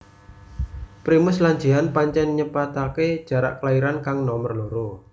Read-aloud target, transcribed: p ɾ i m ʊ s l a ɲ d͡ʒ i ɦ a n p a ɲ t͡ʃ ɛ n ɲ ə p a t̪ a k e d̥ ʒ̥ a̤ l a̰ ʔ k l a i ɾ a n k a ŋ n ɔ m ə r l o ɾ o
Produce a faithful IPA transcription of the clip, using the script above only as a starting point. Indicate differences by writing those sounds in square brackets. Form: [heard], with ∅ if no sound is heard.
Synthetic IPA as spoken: p ɾ i m ʊ s l a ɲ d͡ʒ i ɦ a n p a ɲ t͡ʃ ɛ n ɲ ə p a t̪ a k e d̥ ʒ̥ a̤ [ɾ] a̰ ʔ k l a i ɾ a n k a ŋ n ɔ m ə r l o ɾ o